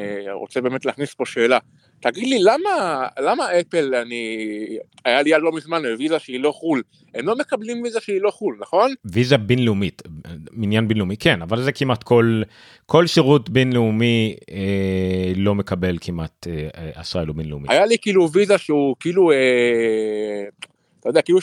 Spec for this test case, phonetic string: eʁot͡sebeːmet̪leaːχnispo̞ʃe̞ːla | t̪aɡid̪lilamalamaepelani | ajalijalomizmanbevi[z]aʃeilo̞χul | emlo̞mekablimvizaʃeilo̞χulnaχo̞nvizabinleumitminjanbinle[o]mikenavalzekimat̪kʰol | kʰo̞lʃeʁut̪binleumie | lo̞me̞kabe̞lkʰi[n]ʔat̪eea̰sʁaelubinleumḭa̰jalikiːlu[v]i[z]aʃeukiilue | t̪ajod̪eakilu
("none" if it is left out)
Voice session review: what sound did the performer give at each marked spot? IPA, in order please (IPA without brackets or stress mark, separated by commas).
z, u, m, v, z